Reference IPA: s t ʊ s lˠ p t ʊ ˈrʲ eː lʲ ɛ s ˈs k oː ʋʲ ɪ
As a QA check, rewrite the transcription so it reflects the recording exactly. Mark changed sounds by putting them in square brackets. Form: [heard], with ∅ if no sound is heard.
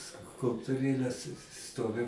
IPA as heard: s [k] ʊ [∅] lˠ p t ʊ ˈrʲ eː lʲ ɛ s ˈs [t] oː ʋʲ ɪ